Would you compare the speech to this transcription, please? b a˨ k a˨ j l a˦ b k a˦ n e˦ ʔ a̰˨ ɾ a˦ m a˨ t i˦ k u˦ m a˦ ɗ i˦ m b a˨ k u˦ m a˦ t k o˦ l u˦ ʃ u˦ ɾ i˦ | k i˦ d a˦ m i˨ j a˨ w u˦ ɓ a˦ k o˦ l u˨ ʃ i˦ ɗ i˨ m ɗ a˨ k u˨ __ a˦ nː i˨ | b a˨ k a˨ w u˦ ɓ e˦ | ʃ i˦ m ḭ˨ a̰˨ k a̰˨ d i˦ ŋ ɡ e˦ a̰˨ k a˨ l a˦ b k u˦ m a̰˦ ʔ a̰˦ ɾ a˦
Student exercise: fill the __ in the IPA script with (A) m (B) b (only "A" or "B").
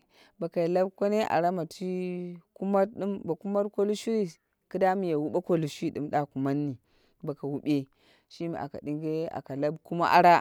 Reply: A